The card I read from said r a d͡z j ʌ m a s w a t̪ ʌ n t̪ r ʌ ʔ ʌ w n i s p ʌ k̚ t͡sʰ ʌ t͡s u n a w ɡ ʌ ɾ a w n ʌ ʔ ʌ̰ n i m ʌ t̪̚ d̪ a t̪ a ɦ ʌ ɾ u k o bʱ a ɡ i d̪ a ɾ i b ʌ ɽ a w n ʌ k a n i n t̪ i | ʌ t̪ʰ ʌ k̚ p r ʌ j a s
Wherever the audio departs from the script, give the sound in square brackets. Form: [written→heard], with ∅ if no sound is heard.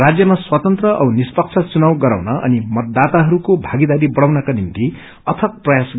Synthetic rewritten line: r a d͡z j ʌ m a s w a t̪ ʌ n t̪ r ʌ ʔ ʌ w n i s p ʌ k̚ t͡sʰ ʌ t͡s u n a w ɡ ʌ ɾ a w n ʌ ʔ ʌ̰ n i m ʌ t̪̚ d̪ a t̪ a ɦ ʌ ɾ u k o bʱ a ɡ i d̪ a ɾ i b ʌ ɽ a w n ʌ k a n i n t̪ i | ʌ t̪ʰ ʌ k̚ p r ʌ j a s

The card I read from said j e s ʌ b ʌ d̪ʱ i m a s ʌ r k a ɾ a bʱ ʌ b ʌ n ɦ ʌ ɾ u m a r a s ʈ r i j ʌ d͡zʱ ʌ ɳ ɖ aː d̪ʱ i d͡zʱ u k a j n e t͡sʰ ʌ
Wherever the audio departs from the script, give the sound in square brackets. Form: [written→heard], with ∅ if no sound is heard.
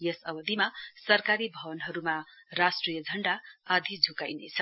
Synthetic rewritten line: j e s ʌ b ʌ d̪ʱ i m a s ʌ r k a ɾ [a→i] bʱ ʌ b ʌ n ɦ ʌ ɾ u m a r a s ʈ r i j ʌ d͡zʱ ʌ ɳ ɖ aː d̪ʱ i d͡zʱ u k a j n e t͡sʰ ʌ

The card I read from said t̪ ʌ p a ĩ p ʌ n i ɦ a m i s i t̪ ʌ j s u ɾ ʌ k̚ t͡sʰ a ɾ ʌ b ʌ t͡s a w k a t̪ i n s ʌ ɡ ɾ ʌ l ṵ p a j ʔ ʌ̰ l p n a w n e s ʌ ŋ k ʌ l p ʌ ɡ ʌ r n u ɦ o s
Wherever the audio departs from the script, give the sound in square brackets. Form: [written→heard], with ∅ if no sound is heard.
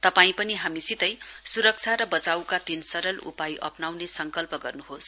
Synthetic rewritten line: t̪ ʌ p a ĩ p ʌ n i ɦ a m i s i t̪ ʌ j s u ɾ ʌ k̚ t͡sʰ a ɾ ʌ b ʌ t͡s a w k a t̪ i n s ʌ [ɡ→∅] ɾ ʌ l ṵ p a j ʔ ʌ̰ [l→∅] p n a w n e s ʌ ŋ k ʌ l p ʌ ɡ ʌ r n u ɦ o s

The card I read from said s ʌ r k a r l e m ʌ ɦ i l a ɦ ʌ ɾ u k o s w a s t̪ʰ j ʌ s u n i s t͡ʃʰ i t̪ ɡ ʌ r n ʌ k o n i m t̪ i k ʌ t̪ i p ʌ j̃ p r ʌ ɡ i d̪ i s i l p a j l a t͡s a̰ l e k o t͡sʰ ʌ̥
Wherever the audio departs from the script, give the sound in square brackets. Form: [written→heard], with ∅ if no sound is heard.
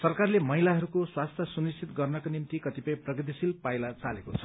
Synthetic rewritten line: s ʌ r k a r l e m ʌ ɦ i l a ɦ ʌ ɾ u k o s w a s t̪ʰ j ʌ s u n i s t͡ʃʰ i t̪ ɡ ʌ r n ʌ k o n i m t̪ i k ʌ t̪ i p ʌ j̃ p r ʌ ɡ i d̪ i s i l p a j l a t͡s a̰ l e k o t͡sʰ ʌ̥

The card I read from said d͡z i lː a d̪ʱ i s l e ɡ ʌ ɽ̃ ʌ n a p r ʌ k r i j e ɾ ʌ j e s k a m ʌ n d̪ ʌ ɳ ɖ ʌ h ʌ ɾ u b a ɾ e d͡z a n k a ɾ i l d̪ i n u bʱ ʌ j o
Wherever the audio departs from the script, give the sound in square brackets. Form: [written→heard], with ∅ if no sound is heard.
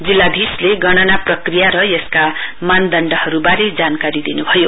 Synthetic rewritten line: d͡z i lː a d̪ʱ i s l e ɡ ʌ ɽ̃ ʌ n a p r ʌ k r i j [e→a] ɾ ʌ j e s k a m [ʌ→a] n d̪ ʌ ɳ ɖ ʌ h ʌ ɾ u b a ɾ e d͡z a n k a ɾ i [l→∅] d̪ i n u bʱ ʌ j o

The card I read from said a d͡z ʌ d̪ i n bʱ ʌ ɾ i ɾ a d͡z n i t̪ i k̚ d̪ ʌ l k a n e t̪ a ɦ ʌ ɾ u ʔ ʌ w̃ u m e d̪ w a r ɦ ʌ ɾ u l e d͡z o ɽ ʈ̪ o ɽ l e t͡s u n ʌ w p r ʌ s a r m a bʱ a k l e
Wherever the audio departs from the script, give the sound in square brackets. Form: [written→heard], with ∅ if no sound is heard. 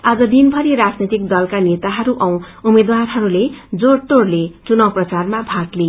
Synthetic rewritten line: a d͡z ʌ d̪ i n bʱ ʌ ɾ i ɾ a d͡z n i t̪ i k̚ d̪ ʌ l k a n e t̪ a ɦ ʌ ɾ u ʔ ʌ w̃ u m e d̪ w a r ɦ ʌ ɾ u l e d͡z o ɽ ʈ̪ o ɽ l e t͡s u n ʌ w p r ʌ [s→t͡s] a r m a bʱ a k l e

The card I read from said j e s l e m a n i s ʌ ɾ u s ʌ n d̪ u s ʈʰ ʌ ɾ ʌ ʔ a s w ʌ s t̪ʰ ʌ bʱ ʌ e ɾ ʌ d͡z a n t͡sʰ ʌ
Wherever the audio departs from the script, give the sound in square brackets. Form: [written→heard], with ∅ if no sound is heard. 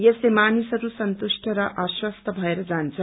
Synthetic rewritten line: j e s l e m a n i s ʌ ɾ u s ʌ n [d̪→t̪] u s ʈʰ ʌ ɾ ʌ ʔ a s w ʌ s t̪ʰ ʌ bʱ ʌ e ɾ ʌ d͡z a n t͡sʰ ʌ

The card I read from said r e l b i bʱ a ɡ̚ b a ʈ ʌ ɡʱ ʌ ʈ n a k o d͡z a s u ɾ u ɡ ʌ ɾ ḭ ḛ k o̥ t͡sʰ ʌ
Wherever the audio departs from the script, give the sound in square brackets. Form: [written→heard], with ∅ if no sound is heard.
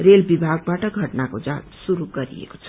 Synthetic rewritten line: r e l b i bʱ a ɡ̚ b a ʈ ʌ ɡʱ ʌ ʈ n a k o d͡z a s u ɾ u ɡ ʌ ɾ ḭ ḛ k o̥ t͡sʰ ʌ

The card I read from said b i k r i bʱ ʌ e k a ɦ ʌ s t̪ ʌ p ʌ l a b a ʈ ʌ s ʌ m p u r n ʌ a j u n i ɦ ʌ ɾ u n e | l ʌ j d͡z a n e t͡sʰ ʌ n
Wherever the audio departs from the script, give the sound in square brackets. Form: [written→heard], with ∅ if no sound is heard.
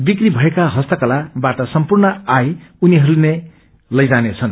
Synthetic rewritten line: b i k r i bʱ ʌ e k a ɦ ʌ s t̪ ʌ [p→k] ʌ l a b a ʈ ʌ s ʌ m p u r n ʌ a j u n i ɦ ʌ ɾ u n e | l ʌ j d͡z a n e t͡sʰ ʌ n

